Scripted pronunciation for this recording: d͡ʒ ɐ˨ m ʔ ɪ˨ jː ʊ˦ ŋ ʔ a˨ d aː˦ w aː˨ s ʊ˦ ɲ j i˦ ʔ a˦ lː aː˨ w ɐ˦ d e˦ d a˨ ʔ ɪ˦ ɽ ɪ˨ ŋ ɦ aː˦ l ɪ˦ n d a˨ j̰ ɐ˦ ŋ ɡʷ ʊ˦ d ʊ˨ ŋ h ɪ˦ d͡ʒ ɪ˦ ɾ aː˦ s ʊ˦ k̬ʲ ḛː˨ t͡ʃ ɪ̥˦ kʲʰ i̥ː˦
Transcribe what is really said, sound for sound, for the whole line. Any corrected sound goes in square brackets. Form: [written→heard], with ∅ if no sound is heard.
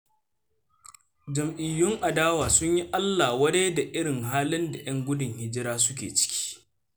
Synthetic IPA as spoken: d͡ʒ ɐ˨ m ʔ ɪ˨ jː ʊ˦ ŋ ʔ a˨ d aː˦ w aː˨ s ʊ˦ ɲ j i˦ ʔ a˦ lː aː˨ w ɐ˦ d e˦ d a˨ ʔ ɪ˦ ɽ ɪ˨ ŋ ɦ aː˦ l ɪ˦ n d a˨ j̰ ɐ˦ ŋ ɡʷ ʊ˦ d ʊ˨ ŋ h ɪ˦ d͡ʒ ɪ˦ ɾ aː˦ s ʊ˦ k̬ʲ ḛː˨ t͡ʃ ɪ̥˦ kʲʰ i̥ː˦